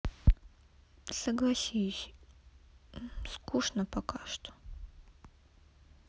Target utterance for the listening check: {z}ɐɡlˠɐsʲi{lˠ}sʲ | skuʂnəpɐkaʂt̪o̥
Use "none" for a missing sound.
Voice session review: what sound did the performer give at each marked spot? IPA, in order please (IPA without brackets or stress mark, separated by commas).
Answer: s, none